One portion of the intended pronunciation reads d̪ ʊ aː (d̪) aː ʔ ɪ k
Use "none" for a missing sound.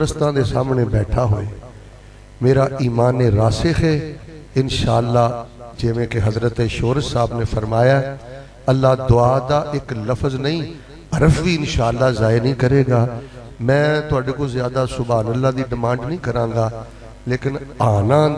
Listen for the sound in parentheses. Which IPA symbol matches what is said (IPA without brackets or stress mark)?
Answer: d̪